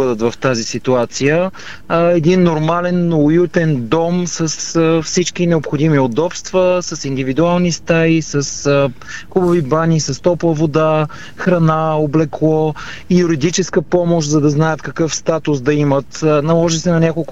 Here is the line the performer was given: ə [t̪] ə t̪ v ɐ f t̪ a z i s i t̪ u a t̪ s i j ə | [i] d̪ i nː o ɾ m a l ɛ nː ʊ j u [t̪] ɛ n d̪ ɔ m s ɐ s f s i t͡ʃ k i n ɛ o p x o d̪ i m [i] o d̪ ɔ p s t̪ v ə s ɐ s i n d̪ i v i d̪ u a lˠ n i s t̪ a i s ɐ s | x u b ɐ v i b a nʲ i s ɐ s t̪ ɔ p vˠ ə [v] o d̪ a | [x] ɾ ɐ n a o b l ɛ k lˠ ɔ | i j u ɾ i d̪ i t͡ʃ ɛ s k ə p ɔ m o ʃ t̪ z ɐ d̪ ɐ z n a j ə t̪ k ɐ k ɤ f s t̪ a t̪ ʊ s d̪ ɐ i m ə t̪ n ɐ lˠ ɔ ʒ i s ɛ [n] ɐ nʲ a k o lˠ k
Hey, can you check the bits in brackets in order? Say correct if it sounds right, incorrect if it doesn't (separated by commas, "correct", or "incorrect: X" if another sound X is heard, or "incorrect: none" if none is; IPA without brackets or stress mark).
incorrect: d̪, incorrect: ɛ, correct, correct, correct, correct, correct